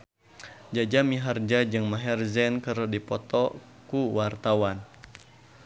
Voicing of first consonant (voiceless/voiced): voiced